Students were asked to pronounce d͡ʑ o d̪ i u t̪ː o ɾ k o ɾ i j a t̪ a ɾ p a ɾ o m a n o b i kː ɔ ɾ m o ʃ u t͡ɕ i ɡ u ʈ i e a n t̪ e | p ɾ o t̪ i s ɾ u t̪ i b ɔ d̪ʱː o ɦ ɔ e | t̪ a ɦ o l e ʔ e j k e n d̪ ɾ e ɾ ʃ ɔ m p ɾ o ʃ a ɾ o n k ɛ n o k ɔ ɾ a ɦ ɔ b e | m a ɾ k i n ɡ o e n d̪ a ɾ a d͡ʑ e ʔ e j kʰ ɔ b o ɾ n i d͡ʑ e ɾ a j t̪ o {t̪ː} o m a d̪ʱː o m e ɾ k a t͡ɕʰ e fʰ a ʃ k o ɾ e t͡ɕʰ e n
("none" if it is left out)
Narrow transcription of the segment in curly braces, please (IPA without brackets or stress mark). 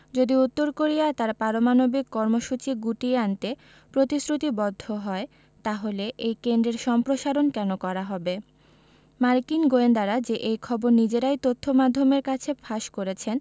t̪ʰː